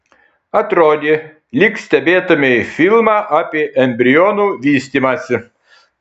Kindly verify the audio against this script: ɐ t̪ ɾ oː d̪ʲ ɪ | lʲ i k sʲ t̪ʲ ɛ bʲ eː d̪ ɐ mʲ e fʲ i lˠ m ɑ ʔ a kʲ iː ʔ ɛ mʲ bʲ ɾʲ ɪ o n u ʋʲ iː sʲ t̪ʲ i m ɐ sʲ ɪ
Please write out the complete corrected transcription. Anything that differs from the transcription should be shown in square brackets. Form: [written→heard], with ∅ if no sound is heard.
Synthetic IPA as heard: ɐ t̪ ɾ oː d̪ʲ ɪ | lʲ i k sʲ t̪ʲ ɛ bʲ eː [d̪→t̪] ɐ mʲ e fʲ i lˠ m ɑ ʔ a [kʲ→pʲ] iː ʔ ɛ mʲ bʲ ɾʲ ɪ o n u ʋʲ iː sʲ t̪ʲ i m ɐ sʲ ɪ